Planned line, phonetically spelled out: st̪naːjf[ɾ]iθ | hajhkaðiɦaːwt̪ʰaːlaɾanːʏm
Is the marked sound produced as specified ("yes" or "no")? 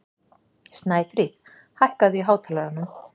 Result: yes